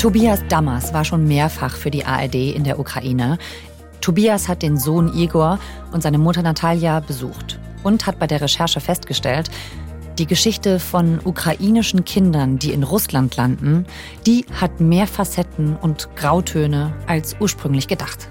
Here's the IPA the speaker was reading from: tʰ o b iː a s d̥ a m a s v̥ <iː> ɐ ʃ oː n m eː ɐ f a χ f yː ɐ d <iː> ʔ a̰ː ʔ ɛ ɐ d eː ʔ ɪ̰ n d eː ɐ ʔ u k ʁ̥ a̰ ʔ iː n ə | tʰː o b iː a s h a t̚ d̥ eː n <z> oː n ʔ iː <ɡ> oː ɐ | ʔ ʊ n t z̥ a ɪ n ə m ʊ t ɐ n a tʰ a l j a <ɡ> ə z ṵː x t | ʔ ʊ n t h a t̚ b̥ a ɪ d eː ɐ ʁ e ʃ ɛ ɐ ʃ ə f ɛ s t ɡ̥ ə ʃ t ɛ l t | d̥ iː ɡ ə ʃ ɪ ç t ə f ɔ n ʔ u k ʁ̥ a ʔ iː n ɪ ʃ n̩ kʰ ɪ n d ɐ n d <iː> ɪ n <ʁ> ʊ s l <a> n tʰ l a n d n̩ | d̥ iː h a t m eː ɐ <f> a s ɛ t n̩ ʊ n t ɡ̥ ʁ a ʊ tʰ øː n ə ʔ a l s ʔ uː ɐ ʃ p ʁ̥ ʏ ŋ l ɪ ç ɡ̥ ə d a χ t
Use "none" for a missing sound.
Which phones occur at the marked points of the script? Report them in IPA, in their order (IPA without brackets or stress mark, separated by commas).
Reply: aː, iː, z, ɡ, b, iː, ʁ, a, f